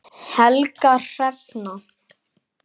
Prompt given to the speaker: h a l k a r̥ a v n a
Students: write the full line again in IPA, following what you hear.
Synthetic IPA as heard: h ɛ l k a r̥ ɛ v n a